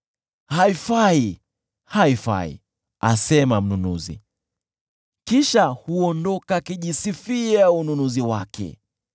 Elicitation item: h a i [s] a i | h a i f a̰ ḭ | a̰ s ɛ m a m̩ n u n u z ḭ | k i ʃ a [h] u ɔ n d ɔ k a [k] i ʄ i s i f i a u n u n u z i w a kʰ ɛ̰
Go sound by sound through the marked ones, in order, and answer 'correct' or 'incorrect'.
incorrect: f, correct, correct

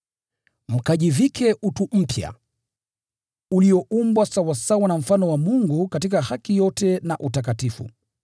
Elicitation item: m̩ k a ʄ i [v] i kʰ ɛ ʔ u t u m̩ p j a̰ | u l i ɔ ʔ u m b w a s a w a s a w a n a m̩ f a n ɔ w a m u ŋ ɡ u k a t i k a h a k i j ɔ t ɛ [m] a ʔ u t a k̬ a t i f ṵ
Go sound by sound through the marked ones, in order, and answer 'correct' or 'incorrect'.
correct, incorrect: n

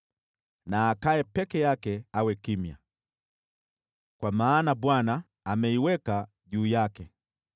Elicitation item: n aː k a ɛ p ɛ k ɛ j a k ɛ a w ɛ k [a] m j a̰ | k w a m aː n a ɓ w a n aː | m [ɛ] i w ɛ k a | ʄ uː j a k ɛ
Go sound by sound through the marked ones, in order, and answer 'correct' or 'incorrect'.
incorrect: i, correct

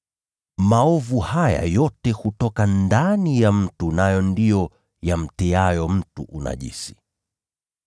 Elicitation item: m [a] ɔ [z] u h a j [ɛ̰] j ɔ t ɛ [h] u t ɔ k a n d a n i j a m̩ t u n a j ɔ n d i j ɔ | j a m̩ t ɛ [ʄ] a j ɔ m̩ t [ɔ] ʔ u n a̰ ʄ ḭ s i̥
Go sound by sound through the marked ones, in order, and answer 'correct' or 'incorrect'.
correct, incorrect: v, incorrect: a̰, correct, incorrect: none, incorrect: u

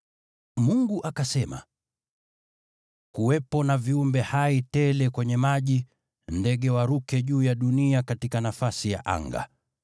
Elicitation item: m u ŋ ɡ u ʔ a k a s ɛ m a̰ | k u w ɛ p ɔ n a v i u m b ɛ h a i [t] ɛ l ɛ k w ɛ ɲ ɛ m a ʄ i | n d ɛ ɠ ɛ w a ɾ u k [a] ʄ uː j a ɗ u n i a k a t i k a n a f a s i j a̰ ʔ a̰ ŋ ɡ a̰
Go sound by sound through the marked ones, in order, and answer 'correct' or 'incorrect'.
correct, incorrect: ɛ

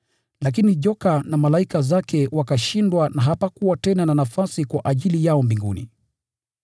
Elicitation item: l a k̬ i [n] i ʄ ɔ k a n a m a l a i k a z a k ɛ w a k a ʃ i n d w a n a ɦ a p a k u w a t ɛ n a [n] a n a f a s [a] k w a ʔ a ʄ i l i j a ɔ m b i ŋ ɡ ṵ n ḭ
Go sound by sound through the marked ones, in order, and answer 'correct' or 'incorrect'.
correct, correct, incorrect: i

